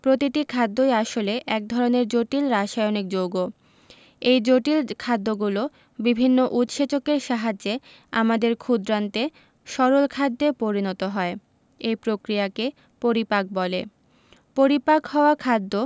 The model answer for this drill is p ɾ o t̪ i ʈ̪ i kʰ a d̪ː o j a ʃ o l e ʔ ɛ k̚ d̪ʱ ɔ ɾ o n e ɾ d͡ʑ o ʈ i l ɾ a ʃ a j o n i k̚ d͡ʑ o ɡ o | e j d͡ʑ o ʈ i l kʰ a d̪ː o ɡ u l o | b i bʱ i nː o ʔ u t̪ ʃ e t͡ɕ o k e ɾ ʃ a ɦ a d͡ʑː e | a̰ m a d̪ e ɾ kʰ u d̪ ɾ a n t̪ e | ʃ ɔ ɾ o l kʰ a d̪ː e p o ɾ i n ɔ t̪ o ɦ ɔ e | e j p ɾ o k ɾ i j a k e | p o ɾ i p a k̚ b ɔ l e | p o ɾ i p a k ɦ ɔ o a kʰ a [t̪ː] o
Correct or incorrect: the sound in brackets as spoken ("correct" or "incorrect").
incorrect